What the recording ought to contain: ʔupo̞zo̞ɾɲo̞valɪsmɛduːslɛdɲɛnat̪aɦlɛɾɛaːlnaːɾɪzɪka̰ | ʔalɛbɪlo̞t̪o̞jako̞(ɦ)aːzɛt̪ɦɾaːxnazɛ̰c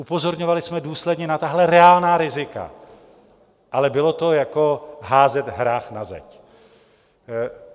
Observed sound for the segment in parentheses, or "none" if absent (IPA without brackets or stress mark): ɦ